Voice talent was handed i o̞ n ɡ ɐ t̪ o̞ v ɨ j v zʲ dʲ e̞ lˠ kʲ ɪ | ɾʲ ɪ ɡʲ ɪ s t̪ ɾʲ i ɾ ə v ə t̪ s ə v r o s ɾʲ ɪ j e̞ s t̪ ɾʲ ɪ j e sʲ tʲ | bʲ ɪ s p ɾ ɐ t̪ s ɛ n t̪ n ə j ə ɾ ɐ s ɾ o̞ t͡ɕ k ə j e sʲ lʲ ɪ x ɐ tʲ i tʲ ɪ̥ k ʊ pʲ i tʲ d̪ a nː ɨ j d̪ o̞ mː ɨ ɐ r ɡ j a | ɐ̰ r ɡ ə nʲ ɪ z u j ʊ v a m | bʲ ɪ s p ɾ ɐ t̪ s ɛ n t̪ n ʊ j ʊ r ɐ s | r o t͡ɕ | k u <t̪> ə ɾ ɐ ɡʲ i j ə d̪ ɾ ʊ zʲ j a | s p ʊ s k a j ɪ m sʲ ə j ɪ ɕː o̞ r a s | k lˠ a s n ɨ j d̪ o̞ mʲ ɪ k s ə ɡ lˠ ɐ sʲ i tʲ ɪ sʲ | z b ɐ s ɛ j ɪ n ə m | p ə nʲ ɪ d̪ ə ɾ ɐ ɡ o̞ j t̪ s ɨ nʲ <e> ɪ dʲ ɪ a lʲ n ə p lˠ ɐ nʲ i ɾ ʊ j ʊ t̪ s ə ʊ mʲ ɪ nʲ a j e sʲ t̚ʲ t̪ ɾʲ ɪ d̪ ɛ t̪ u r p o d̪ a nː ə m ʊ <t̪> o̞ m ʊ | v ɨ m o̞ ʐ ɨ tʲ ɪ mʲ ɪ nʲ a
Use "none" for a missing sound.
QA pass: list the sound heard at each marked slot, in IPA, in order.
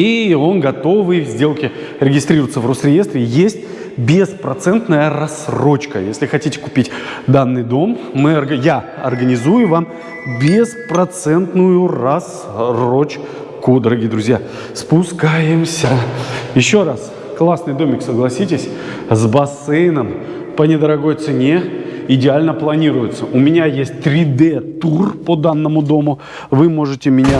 d̪, e, d̪

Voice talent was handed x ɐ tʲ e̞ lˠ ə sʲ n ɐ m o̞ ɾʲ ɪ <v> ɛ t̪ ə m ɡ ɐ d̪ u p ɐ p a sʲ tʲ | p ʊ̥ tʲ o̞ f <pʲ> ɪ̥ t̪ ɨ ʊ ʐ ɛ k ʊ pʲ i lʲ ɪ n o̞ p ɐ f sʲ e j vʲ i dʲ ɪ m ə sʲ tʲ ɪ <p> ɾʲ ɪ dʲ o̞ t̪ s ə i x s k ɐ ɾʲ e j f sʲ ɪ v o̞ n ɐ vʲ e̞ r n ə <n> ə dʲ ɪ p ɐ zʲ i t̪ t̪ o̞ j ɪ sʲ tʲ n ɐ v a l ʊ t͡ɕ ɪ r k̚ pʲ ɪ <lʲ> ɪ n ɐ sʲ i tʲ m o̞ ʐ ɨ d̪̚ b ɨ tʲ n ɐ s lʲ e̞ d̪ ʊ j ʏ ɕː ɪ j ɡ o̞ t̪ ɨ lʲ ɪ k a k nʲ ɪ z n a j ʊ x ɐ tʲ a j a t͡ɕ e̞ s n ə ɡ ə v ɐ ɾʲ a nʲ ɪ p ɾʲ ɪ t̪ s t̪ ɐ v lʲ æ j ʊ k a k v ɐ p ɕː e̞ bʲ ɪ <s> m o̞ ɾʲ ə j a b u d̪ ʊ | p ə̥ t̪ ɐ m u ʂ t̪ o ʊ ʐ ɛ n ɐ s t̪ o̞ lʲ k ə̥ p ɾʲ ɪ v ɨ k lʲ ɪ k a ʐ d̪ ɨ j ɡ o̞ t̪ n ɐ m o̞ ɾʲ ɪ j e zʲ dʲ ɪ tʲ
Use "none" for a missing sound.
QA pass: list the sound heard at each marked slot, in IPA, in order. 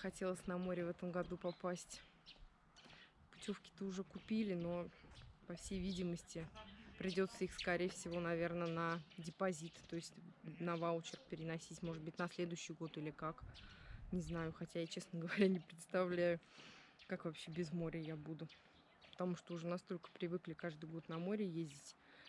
v, kʲ, p, n, ɾʲ, z

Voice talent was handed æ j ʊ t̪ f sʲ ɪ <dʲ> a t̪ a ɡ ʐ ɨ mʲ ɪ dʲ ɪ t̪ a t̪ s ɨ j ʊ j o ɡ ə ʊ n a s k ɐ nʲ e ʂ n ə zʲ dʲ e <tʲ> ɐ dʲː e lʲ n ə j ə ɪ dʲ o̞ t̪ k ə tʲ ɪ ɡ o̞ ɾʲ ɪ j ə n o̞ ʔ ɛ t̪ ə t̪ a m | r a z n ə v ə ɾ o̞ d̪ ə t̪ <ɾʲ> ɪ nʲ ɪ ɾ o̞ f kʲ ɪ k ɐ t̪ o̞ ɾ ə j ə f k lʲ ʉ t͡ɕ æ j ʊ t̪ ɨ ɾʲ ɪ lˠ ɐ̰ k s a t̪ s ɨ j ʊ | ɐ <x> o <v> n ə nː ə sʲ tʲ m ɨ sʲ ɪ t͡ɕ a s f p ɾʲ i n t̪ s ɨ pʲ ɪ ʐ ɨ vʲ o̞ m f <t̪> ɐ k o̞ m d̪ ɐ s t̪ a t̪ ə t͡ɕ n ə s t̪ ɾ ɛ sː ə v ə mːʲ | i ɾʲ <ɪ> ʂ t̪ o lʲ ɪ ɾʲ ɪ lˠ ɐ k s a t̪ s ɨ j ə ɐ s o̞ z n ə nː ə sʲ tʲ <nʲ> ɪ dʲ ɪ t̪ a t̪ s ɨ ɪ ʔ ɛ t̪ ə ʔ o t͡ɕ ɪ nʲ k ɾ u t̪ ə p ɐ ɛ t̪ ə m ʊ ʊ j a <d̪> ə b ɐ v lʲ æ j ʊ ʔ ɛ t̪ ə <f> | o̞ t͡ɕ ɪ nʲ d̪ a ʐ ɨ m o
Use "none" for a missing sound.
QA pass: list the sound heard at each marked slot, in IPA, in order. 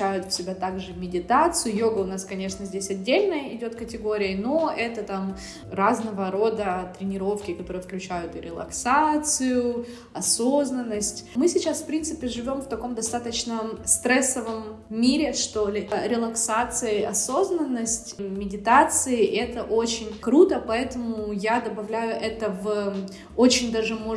bʲ, sʲ, ɾʲ, s, z, t̪, ɪ, mʲ, d̪, v

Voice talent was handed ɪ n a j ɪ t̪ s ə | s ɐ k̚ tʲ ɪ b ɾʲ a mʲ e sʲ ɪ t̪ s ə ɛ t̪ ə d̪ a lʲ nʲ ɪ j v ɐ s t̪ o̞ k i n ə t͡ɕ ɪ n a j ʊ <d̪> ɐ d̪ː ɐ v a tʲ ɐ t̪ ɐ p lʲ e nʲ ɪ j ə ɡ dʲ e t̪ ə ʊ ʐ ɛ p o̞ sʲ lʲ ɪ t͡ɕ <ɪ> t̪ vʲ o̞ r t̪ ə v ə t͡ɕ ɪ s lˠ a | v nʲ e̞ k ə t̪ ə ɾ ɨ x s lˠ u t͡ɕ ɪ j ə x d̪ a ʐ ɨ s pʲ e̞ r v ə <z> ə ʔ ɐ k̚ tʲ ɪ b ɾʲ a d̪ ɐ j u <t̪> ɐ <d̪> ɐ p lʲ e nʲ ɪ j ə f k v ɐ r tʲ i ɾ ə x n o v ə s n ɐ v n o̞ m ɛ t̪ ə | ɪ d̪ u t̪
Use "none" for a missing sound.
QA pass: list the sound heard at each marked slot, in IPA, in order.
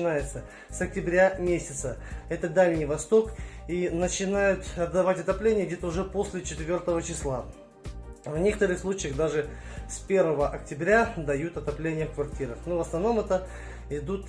t̪, ɪ, v, t̪, t̪

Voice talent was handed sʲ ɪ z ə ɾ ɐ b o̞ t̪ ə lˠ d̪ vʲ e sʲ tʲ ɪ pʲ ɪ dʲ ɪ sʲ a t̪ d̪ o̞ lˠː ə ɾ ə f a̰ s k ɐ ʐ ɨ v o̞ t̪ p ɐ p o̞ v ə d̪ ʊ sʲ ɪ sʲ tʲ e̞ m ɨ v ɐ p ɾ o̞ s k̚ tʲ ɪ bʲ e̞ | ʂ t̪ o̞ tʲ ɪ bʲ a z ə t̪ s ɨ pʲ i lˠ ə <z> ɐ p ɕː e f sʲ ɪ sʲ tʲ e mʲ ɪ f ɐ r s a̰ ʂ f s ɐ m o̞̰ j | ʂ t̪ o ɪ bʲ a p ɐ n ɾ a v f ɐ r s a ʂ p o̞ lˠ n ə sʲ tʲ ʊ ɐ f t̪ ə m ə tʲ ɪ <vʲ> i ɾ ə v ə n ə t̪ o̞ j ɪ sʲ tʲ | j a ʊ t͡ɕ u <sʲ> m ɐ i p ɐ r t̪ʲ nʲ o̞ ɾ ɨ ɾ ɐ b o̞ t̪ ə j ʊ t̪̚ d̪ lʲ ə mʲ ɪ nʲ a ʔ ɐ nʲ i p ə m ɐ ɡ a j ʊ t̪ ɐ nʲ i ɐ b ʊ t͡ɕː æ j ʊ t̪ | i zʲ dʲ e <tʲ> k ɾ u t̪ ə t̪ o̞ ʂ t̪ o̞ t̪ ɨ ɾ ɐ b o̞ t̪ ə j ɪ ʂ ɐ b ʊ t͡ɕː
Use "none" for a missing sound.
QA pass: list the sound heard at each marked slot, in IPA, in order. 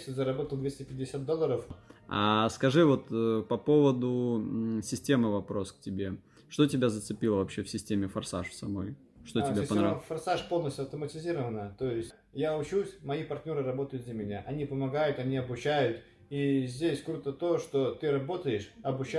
v, zʲ, sʲ, sʲ

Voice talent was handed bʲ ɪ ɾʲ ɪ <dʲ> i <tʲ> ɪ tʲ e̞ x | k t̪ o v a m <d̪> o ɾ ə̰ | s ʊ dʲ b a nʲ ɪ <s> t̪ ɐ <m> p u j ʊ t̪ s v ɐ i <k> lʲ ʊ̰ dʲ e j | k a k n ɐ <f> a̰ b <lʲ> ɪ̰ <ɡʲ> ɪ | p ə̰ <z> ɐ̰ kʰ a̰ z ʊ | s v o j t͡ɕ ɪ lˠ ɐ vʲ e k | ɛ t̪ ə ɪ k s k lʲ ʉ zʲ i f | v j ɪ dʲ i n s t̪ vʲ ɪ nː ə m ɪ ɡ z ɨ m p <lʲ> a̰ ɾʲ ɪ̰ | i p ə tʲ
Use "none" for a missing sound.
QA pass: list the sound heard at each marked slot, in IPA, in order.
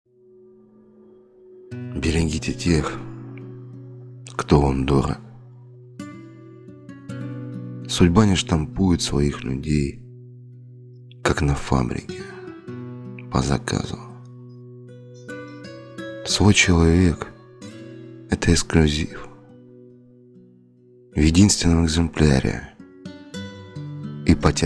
ɡʲ, tʲ, d̪, ʂ, m, x, f, ɾʲ, kʲ, z, lʲ

